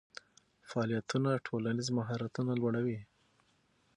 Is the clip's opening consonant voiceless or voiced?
voiceless